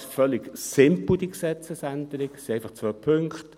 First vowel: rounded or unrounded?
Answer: rounded